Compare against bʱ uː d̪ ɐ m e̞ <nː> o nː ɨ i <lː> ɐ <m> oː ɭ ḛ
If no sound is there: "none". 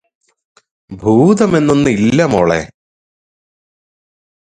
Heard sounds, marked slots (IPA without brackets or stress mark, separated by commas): nː, lː, m